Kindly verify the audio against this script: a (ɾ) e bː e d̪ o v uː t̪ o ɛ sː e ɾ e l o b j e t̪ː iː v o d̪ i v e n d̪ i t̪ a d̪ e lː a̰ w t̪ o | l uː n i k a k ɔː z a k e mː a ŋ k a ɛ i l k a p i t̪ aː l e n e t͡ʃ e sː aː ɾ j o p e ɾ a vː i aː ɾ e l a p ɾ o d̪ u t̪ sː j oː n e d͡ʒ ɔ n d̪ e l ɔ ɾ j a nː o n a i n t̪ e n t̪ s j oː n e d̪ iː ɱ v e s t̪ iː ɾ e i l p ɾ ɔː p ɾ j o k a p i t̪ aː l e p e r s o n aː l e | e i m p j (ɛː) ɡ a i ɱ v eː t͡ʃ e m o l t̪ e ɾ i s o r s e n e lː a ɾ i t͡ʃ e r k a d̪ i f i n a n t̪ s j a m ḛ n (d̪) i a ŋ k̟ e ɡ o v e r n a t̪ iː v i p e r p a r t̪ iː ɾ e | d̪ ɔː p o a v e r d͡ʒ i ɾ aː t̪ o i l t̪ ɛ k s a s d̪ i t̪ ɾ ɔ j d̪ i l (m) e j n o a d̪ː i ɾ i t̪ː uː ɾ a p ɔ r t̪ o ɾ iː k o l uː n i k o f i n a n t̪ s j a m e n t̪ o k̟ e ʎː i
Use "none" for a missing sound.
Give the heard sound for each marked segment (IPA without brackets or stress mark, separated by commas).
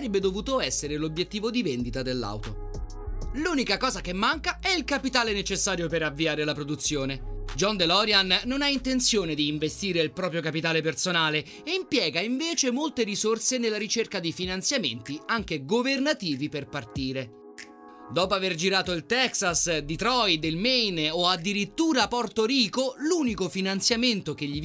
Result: ɾ, ɛː, t̪, m